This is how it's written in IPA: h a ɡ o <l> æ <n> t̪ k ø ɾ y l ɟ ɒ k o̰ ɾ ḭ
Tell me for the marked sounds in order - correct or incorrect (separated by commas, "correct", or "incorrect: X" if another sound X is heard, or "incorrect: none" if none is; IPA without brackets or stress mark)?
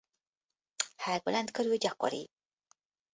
correct, correct